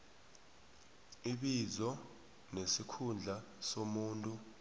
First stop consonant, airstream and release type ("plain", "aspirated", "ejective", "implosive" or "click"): implosive